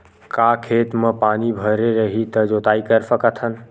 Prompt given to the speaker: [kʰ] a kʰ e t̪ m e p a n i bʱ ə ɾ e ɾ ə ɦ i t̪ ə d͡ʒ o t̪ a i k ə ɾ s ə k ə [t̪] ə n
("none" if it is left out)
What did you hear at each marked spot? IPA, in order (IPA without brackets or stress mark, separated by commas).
k, t̪ʰ